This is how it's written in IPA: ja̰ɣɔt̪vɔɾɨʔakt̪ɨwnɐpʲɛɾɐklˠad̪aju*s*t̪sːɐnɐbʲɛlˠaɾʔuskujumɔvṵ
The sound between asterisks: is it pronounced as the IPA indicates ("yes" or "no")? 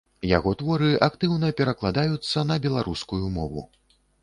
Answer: no